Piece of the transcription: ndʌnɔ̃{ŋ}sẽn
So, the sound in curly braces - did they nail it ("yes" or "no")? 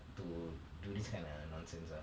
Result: no